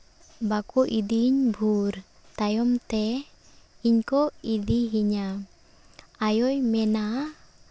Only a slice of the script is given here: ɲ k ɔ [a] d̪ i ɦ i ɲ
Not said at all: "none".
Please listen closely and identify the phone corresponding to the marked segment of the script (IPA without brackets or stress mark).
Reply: i